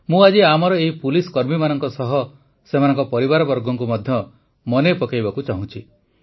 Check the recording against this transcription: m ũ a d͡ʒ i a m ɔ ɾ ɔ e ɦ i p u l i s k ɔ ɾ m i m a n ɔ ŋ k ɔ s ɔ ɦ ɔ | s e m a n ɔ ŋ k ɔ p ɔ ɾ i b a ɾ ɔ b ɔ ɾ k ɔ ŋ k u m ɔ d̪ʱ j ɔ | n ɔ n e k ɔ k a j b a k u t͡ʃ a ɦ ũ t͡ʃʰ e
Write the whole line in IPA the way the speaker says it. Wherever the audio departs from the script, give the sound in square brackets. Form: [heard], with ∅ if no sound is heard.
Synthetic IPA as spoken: m ũ a d͡ʒ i a m ɔ ɾ ɔ e ɦ i p u l i s k ɔ ɾ m i m a n ɔ ŋ k ɔ s ɔ ɦ ɔ | s e m a n ɔ ŋ k ɔ p ɔ ɾ i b a ɾ ɔ b ɔ ɾ [ɡ] ɔ ŋ k u m ɔ d̪ʱ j ɔ | [m] ɔ n e [p] ɔ k a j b a k u t͡ʃ a ɦ ũ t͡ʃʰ [i]